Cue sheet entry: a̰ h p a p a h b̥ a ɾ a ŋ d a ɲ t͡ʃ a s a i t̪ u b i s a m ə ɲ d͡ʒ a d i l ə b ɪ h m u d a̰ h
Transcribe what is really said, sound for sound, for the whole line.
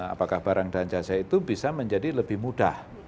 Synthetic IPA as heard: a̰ p a k a h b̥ a ɾ a ŋ d a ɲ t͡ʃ a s a i t̪ u b i s a m ə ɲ d͡ʒ a d i l ə b ɪ h m u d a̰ h